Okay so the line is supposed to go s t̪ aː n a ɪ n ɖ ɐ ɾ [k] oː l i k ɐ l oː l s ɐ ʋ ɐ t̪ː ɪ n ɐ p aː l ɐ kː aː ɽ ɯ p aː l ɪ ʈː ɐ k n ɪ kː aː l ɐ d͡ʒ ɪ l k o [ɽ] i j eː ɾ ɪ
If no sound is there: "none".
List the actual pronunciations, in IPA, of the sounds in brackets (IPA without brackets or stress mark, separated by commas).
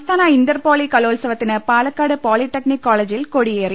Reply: p, ɽ